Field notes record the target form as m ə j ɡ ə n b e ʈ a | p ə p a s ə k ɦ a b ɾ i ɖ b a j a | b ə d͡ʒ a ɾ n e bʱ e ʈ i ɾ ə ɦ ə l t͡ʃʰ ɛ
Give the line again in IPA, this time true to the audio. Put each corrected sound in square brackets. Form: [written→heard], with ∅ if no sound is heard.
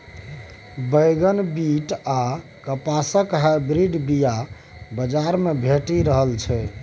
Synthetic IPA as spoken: [m→b] ə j ɡ ə n b [e→i] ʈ a | [p→k] ə p a s ə k ɦ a b ɾ i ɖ b [a→i] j a | b ə d͡ʒ a ɾ [n→m] e bʱ e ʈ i ɾ ə ɦ ə l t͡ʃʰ ɛ